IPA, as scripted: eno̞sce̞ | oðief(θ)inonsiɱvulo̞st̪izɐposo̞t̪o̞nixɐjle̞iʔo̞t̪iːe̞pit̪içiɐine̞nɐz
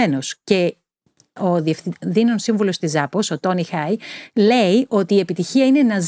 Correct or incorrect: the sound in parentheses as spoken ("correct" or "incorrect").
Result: incorrect